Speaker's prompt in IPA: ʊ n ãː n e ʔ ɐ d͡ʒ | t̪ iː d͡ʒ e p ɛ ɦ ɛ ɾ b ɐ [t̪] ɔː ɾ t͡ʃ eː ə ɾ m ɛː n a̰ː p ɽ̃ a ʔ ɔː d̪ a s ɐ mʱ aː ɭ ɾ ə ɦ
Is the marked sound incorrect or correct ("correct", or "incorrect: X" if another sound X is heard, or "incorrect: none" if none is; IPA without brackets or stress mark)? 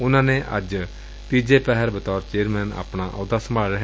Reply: correct